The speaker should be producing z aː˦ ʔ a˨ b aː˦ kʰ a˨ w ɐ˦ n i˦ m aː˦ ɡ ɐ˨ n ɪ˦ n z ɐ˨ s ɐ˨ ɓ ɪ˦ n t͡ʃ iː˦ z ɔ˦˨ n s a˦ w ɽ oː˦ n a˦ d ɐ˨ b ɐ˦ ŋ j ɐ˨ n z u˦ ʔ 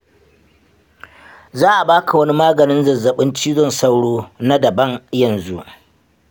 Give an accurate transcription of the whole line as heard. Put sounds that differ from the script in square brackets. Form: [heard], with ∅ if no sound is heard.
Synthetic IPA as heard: z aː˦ ʔ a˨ b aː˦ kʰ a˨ w ɐ˦ n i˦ m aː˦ ɡ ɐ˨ n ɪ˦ n z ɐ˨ [z] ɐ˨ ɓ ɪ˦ n t͡ʃ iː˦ z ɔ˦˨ n s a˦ w ɽ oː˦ n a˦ d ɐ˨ b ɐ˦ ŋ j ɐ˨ n z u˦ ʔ